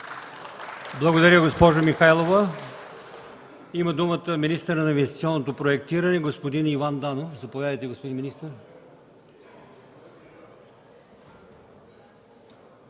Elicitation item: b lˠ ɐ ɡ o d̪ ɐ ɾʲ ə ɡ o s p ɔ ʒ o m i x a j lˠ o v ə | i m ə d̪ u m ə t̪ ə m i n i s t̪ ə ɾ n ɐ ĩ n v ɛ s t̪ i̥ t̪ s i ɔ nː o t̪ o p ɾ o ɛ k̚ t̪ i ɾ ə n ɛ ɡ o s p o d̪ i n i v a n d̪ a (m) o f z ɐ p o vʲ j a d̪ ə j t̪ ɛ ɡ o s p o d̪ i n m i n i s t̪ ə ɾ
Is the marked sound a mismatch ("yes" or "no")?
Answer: yes